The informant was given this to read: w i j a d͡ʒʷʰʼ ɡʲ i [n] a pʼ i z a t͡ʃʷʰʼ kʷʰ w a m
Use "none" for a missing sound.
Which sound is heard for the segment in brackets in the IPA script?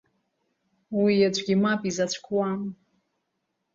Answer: m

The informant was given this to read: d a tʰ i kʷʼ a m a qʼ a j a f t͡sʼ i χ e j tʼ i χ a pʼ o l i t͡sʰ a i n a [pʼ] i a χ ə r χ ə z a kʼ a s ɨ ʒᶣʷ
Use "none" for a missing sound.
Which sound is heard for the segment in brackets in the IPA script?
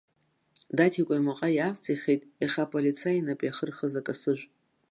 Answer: pʼ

